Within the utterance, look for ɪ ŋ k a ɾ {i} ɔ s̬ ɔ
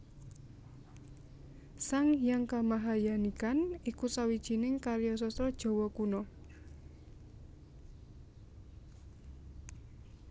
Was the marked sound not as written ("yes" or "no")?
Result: yes